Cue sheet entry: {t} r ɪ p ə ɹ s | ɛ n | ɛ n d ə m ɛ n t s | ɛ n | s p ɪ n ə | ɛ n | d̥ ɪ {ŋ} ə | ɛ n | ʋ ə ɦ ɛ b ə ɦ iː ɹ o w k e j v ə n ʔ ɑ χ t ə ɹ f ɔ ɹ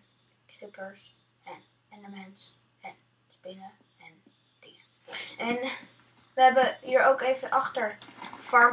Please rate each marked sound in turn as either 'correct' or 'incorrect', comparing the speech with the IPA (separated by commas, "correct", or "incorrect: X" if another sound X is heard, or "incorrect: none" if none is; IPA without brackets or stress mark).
incorrect: k, correct